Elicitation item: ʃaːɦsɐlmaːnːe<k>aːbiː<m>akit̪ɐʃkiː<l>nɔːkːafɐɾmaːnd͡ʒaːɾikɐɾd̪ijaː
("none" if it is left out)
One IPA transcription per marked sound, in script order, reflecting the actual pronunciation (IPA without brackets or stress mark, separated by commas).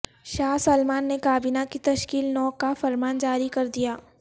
k, n, l